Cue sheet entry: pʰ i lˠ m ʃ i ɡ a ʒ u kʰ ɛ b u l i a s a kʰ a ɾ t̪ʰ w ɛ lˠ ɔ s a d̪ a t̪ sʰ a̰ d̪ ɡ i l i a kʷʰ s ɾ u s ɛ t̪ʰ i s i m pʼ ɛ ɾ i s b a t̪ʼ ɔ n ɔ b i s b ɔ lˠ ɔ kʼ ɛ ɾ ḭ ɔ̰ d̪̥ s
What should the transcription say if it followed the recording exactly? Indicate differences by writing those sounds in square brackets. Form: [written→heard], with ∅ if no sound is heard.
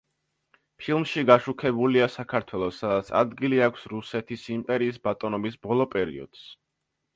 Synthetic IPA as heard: pʰ i lˠ m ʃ i ɡ a [ʒ→ʃ] u kʰ ɛ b u l i a s a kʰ a ɾ t̪ʰ w ɛ lˠ ɔ s a d̪ a t̪ sʰ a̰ d̪ ɡ i l i a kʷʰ s ɾ u s ɛ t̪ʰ i s i m pʼ ɛ ɾ [i→iː] s b a t̪ʼ ɔ n ɔ b i s b ɔ lˠ ɔ [kʼ→pʼ] ɛ ɾ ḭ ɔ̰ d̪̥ s

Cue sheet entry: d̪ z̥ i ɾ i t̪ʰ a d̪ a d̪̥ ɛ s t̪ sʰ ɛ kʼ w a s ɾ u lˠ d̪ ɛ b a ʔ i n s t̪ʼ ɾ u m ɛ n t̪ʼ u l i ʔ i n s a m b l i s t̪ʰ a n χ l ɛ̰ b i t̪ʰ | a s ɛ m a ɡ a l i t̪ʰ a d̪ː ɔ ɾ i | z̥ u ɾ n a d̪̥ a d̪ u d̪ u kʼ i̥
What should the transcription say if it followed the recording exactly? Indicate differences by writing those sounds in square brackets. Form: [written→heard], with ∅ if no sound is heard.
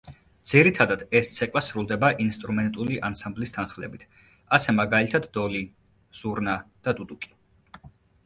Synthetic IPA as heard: d̪ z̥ i ɾ i t̪ʰ a d̪ a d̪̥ ɛ s t̪ sʰ ɛ kʼ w a s ɾ u lˠ d̪ ɛ b a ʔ i n s t̪ʼ ɾ u m ɛ n t̪ʼ u l i ʔ [i→a] n s a m b l i s t̪ʰ a n χ l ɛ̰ b i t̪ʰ | a s ɛ m a ɡ a l i t̪ʰ a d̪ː ɔ [ɾ→l] i | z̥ u ɾ n a d̪̥ a d̪ u d̪ u kʼ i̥

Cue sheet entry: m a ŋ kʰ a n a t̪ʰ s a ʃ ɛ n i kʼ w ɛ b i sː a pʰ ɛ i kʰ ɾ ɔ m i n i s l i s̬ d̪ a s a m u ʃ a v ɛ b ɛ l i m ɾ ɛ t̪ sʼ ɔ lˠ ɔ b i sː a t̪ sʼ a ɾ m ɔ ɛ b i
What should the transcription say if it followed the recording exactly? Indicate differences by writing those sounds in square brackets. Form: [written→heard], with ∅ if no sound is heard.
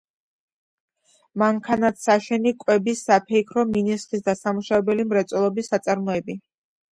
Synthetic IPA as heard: m a ŋ kʰ a n a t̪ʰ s a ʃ ɛ n i kʼ w ɛ b i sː a pʰ ɛ i kʰ ɾ ɔ m i n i s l i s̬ d̪ a s a m u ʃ a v ɛ b ɛ l i m ɾ ɛ t̪ sʼ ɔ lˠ ɔ b i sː a t̪ sʼ a ɾ m ɔ ɛ b i

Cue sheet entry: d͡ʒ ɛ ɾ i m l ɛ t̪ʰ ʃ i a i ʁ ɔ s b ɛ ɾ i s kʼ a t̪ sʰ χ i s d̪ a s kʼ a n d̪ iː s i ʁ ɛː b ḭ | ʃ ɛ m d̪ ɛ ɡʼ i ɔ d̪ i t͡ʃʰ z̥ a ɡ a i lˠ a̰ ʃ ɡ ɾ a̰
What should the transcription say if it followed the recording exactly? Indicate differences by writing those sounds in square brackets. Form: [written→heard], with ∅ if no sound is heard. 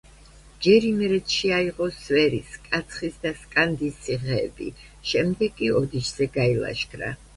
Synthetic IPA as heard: d͡ʒ ɛ ɾ i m [l→ɾ] ɛ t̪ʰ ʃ i a i ʁ ɔ s [b→v] ɛ ɾ i s kʼ a t̪ sʰ χ i s d̪ a s kʼ a n d̪ [iː→i] s i ʁ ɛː b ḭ | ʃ ɛ m d̪ ɛ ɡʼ i ɔ d̪ i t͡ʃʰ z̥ [a→ɛ] ɡ a i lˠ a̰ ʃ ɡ ɾ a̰

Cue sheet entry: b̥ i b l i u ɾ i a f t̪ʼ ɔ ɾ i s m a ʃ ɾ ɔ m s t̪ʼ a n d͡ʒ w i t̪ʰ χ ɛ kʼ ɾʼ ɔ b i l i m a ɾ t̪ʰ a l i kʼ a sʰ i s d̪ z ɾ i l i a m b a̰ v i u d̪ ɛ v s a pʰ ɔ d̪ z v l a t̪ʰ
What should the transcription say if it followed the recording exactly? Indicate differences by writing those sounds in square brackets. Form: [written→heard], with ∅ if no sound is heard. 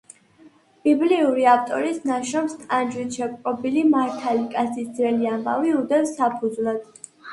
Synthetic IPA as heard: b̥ i b l i u ɾ i a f t̪ʼ ɔ ɾ i s [m→n] a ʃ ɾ ɔ m s t̪ʼ a n d͡ʒ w i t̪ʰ [χ→ʃ] ɛ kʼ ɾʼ ɔ b i l i m a ɾ t̪ʰ a l i kʼ a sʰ i s d̪ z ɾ [i→ɛ] l i a m b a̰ v i u d̪ ɛ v s a pʰ [ɔ→u] d̪ z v l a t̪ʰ

